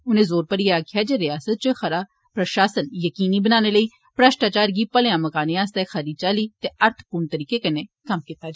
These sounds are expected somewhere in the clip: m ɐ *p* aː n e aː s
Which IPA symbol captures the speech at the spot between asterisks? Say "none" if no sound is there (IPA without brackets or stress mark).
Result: k